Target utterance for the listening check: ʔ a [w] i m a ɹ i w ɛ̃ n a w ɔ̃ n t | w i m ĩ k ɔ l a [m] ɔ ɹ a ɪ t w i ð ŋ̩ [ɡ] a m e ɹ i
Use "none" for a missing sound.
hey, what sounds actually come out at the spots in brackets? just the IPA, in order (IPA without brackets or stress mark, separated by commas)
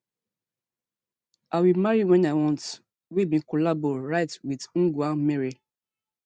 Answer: w, b, ɡ